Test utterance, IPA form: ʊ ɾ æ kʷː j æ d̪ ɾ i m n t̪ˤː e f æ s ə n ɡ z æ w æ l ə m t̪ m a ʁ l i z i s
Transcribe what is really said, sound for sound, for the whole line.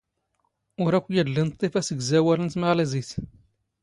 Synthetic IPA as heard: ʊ ɾ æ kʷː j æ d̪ l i n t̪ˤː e f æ s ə ɡ z æ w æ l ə n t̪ m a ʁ l æ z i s